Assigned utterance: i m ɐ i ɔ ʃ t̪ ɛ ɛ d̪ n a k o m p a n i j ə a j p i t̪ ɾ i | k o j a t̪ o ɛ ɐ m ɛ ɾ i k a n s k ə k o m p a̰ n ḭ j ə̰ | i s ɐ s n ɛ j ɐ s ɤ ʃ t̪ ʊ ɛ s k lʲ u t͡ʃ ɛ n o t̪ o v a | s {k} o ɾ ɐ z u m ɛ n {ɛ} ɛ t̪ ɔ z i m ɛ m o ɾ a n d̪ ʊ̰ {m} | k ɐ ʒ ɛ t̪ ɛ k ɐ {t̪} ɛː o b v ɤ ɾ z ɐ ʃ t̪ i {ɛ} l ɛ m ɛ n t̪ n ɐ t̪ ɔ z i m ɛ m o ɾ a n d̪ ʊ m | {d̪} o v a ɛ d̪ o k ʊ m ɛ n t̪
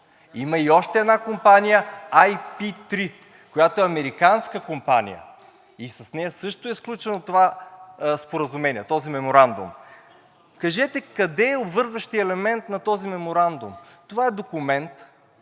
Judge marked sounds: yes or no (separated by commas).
no, no, yes, no, yes, no